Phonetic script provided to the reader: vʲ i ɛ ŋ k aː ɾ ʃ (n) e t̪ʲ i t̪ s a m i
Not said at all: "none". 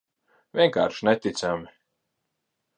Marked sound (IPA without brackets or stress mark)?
n